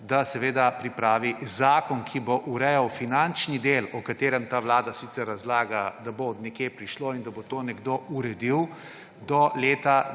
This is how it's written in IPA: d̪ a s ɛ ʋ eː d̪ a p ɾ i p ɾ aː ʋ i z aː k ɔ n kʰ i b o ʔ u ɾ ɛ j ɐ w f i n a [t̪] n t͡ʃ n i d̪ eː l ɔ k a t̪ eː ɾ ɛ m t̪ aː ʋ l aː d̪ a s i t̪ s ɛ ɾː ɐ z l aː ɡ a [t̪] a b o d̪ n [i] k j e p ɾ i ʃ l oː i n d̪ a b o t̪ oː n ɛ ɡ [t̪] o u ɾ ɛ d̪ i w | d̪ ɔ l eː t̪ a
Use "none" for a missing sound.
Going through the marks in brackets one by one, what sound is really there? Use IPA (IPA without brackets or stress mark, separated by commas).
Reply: none, d̪, ɛ, d̪